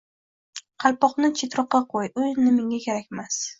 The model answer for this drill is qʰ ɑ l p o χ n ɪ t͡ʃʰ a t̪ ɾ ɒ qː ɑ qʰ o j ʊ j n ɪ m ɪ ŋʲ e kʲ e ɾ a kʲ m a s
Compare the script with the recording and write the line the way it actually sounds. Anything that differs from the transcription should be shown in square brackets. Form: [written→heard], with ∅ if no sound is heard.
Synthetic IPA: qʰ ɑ l p [o→ɒ] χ n ɪ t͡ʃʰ [a→e] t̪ ɾ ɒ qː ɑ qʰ o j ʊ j n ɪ m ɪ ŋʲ [e→a] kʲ e ɾ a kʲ m a s